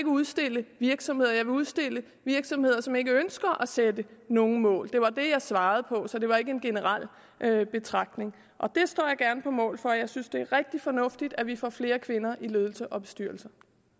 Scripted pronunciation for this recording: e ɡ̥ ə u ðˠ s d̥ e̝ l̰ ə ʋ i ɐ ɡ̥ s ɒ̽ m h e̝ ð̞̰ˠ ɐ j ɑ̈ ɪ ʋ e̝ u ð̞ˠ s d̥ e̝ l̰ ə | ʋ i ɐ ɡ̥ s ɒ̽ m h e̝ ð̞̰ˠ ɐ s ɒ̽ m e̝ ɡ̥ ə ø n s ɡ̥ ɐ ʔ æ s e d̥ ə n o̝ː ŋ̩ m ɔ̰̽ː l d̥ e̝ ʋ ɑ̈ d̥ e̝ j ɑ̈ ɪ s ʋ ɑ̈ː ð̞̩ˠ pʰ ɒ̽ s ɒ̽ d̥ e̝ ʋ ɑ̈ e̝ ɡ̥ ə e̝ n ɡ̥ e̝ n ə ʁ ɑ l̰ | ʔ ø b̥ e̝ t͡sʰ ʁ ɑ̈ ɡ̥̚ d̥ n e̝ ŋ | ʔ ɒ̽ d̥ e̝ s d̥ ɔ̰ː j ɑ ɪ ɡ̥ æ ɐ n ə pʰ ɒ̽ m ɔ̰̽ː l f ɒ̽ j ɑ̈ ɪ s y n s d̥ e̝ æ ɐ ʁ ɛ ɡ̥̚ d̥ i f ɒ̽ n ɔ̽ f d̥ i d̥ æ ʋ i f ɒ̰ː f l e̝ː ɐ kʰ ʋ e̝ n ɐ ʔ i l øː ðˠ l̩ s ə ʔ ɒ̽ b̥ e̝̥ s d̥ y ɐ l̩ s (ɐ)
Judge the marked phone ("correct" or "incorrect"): correct